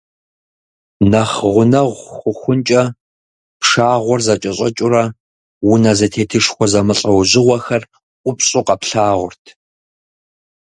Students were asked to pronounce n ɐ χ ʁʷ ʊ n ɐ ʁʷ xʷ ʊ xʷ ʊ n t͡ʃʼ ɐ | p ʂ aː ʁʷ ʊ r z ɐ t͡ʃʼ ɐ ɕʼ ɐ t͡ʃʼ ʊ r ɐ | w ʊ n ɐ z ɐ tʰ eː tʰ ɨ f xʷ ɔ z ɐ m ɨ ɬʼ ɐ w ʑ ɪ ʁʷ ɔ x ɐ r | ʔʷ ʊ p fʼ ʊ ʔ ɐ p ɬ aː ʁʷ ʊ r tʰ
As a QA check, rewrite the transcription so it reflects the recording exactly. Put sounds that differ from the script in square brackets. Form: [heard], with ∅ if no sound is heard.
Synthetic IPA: n ɐ χ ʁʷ ʊ n ɐ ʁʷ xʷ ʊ xʷ ʊ n t͡ʃʼ ɐ | p ʂ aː ʁʷ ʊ r z ɐ t͡ʃʼ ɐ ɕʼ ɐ t͡ʃʼ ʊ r ɐ | w ʊ n ɐ z ɐ tʰ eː tʰ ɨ [ʂ] xʷ ɔ z ɐ m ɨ ɬʼ ɐ w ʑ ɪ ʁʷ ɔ x ɐ r | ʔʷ ʊ p [ɕʼ] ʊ [q] ɐ p ɬ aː ʁʷ ʊ r tʰ